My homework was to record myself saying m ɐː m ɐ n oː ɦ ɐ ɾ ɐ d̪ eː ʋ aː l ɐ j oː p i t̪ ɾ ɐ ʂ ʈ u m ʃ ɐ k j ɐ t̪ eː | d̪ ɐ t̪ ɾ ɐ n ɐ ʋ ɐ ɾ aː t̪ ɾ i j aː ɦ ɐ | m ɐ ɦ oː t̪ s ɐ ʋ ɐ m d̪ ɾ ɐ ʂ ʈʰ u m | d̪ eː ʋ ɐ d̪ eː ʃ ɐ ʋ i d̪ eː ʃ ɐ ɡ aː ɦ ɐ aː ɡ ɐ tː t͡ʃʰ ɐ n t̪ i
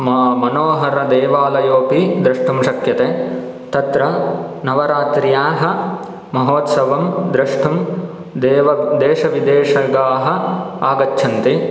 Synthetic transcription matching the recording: m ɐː m ɐ n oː ɦ ɐ ɾ ɐ d̪ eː ʋ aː l ɐ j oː p i d̪ ɾ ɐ ʂ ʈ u m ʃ ɐ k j ɐ t̪ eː | t̪ ɐ t̪ ɾ ɐ n ɐ ʋ ɐ ɾ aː t̪ ɾ i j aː ɦ ɐ | m ɐ ɦ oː t̪ s ɐ ʋ ɐ m d̪ ɾ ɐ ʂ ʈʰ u m | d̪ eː ʋ ɐ d̪ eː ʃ ɐ ʋ i d̪ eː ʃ ɐ ɡ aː ɦ ɐ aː ɡ ɐ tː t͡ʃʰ ɐ n t̪ i

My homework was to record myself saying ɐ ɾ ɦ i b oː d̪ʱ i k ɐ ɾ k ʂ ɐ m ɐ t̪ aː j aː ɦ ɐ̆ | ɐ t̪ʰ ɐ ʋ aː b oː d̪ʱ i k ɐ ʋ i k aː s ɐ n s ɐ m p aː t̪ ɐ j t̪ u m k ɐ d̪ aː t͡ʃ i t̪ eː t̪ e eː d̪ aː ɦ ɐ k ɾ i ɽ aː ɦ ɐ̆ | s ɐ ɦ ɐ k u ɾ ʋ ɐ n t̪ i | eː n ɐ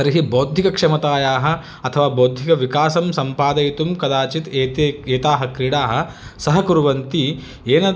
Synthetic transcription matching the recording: ɐ ɾ ɦ i b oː d̪ʱ i k ɐ k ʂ ɐ m ɐ t̪ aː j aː ɦ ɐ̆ | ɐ t̪ʰ ɐ ʋ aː b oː d̪ʱ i k ɐ ʋ i k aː s ɐ m s ɐ m p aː d̪ ɐ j t̪ u m k ɐ d̪ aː t͡ʃ i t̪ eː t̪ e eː t̪ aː ɦ ɐ k ɾ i ɽ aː ɦ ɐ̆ | s ɐ ɦ ɐ k u ɾ ʋ ɐ n t̪ i | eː n ɐ

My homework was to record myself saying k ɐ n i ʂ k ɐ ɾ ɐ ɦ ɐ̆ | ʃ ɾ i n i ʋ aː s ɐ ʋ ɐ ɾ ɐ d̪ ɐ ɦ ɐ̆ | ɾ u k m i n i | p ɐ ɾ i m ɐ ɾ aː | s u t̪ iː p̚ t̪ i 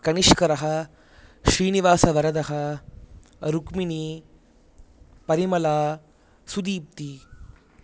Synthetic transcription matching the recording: k ɐ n i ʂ k ɐ ɾ ɐ ɦ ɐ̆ | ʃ ɾ iː n i ʋ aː s ɐ ʋ ɐ ɾ ɐ d̪ ɐ ɦ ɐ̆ | ɾ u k m i n i | p ɐ ɾ i m ɐ l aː | s u d̪ iː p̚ t̪ i

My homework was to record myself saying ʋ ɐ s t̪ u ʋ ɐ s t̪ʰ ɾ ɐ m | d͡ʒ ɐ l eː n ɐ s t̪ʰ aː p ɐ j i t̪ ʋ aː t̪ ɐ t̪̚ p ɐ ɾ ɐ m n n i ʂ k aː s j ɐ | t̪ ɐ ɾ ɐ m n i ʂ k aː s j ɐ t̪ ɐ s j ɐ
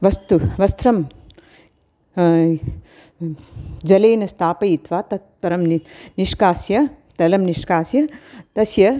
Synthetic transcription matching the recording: ʋ ɐ s t̪ u ʋ ɐ s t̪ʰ ɾ ɐ m | d͡ʒ ɐ l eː n ɐ s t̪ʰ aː p ɐ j i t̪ ʋ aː t̪ ɐ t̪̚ p ɐ ɾ ɐ m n n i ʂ k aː s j ɐ | t̪ ɐ l ɐ m n i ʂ k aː s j ɐ t̪ ɐ s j ɐ

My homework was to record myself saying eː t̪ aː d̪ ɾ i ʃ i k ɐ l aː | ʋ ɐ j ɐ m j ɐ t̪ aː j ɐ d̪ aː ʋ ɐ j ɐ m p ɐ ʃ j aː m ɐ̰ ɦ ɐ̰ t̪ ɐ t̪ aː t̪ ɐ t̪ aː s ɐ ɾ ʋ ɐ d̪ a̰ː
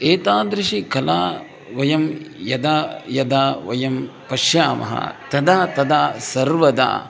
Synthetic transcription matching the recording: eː t̪ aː d̪ ɾ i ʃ i k ɐ l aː | ʋ ɐ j ɐ m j ɐ d̪ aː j ɐ d̪ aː ʋ ɐ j ɐ m p ɐ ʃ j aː m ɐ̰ ɦ ɐ̰ t̪ ɐ d̪ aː t̪ ɐ d̪ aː s ɐ ɾ ʋ ɐ d̪ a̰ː

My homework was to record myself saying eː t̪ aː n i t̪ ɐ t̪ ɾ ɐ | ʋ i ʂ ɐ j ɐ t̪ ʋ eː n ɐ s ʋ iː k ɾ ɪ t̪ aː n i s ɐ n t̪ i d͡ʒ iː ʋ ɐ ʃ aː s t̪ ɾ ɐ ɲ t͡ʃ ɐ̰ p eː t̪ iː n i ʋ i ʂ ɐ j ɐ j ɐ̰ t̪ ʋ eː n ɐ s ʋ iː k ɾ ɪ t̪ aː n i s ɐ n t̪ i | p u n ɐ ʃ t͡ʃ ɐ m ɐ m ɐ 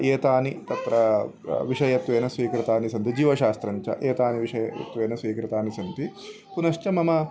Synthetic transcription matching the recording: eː t̪ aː n i t̪ ɐ t̪ ɾ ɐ | ʋ i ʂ ɐ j ɐ t̪ ʋ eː n ɐ s ʋ iː k ɾ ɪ t̪ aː n i s ɐ n t̪ i d͡ʒ iː ʋ ɐ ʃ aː s t̪ ɾ ɐ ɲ t͡ʃ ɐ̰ ʔ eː t̪ aː n i ʋ i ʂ ɐ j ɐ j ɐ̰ t̪ ʋ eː n ɐ s ʋ iː k ɾ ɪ t̪ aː n i s ɐ n t̪ i | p u n ɐ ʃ t͡ʃ ɐ m ɐ m ɐ

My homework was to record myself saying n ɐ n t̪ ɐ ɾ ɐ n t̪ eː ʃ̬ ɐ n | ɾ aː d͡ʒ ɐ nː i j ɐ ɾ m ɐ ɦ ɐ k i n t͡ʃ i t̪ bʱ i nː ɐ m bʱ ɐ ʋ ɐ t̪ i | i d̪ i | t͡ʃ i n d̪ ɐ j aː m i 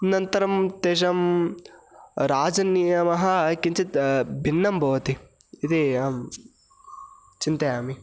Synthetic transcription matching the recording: n ɐ n t̪ ɐ ɾ ɐ m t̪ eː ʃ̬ ɐ m | ɾ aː d͡ʒ ɐ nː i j ɐ m ɐ ɦ ɐ k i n t͡ʃ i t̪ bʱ i nː ɐ m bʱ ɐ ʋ ɐ t̪ i | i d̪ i | t͡ʃ i n t̪ ɐ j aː m i

